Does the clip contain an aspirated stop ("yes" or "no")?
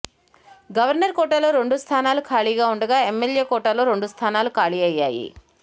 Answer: yes